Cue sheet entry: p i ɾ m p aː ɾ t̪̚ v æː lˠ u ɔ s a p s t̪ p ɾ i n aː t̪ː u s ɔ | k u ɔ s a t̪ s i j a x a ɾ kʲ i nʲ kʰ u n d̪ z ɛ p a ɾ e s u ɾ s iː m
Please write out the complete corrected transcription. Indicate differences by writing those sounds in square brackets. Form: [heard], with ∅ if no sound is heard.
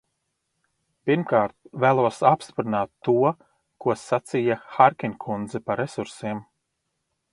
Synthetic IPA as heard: p i ɾ m [k] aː ɾ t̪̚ v æː lˠ u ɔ s a p s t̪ p ɾ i n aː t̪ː u [∅] ɔ | k u ɔ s a t̪ s i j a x a ɾ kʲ i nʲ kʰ u n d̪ z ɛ p a ɾ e s u ɾ s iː m